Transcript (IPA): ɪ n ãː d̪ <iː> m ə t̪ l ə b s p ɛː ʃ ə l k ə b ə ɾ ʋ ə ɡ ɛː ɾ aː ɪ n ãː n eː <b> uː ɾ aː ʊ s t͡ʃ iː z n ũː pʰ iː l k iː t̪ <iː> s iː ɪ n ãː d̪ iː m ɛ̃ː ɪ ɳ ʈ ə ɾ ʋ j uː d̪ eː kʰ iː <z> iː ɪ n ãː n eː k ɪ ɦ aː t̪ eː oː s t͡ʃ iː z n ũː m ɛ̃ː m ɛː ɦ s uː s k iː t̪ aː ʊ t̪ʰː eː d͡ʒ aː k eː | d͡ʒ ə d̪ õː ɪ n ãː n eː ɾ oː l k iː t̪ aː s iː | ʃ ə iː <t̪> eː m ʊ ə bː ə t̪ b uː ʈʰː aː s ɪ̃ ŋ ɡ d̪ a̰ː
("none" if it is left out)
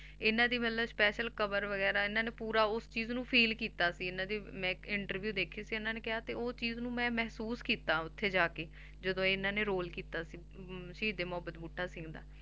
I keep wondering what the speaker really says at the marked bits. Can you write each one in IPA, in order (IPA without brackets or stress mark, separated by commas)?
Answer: iː, p, aː, s, d̪